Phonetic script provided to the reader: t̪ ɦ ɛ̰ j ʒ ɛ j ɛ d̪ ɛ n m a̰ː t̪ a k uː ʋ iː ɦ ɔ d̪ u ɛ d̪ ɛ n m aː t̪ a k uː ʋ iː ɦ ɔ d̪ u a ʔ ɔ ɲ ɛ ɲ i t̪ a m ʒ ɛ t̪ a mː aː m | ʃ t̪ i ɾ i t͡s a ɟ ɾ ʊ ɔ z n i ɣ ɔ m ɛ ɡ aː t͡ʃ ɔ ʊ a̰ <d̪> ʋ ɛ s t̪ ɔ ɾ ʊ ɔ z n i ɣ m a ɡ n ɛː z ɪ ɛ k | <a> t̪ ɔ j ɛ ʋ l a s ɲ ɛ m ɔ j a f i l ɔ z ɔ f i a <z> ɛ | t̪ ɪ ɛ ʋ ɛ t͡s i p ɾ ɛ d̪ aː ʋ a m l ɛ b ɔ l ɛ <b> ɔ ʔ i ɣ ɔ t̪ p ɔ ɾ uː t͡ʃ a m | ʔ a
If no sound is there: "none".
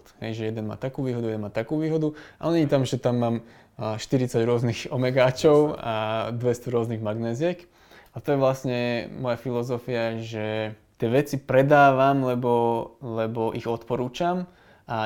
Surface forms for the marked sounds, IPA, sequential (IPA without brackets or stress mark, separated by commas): d̪, a, ʒ, b